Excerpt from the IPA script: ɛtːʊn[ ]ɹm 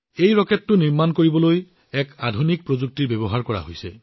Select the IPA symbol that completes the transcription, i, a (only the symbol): i